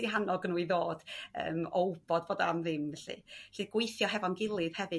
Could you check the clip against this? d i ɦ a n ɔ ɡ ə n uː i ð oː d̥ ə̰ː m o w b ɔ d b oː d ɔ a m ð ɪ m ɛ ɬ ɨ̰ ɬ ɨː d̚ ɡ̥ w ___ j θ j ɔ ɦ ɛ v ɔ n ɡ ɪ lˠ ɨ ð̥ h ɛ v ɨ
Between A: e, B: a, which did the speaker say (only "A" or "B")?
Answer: A